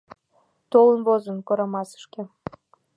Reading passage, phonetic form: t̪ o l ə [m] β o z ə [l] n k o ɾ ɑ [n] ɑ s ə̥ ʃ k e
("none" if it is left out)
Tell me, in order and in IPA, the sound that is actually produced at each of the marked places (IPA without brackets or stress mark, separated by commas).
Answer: n, none, m